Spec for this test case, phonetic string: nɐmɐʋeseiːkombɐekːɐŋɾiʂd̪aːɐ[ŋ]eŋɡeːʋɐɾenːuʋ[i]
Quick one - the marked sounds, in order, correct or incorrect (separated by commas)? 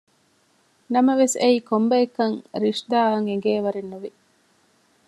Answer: correct, correct